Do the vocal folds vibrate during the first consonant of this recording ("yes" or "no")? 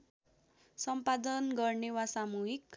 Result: no